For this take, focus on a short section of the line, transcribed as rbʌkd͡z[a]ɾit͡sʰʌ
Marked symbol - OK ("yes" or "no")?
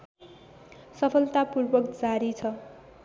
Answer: yes